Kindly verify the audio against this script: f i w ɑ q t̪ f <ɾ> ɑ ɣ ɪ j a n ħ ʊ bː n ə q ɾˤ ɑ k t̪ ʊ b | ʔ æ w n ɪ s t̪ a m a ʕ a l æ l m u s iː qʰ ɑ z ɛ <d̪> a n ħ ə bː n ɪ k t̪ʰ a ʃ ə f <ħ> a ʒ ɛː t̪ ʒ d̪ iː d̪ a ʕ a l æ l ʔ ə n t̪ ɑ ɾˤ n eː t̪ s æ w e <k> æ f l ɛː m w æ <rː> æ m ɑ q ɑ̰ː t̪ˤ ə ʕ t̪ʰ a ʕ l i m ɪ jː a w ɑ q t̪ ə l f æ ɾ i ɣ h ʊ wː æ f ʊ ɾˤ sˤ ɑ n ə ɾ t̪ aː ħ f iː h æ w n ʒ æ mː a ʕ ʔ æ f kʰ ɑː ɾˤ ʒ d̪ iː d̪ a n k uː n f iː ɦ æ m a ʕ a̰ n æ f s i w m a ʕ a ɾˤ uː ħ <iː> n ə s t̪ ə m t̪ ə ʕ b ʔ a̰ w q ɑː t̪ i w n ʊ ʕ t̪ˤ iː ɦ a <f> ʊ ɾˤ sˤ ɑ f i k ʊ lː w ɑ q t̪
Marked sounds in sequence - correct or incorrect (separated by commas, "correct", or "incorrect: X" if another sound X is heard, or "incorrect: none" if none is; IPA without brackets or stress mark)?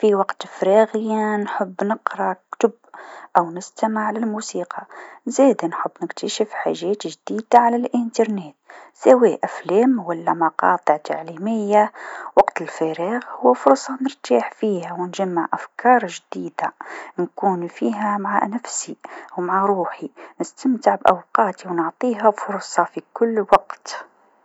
correct, correct, correct, incorrect: ʔ, incorrect: lː, incorrect: i, correct